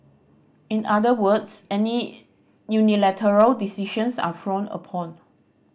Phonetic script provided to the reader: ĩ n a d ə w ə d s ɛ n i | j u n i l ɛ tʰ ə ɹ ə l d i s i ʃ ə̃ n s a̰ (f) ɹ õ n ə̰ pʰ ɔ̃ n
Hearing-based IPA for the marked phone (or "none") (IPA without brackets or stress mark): f